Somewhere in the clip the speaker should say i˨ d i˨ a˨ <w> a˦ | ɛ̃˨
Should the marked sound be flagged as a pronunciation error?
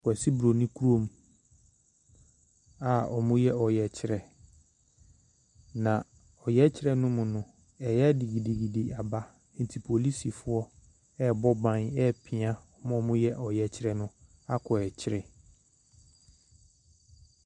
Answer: yes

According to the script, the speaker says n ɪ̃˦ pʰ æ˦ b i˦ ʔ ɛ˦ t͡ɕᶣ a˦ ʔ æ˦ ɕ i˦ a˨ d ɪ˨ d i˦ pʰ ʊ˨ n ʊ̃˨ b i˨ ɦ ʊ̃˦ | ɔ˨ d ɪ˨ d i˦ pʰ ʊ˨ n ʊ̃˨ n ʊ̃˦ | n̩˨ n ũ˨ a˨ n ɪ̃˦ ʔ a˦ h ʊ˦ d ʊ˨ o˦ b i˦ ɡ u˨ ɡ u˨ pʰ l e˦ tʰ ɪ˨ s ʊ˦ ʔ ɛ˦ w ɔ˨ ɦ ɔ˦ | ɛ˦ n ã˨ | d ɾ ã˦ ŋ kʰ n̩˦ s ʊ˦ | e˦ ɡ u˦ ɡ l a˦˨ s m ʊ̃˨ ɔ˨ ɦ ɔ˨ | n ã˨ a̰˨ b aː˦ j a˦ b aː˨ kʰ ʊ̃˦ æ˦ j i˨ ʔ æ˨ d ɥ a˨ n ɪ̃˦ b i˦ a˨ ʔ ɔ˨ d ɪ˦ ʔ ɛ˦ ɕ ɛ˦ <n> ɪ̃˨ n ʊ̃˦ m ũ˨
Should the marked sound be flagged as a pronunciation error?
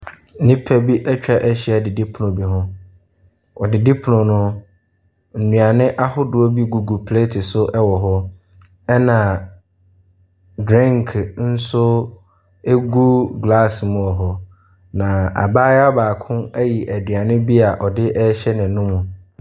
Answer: no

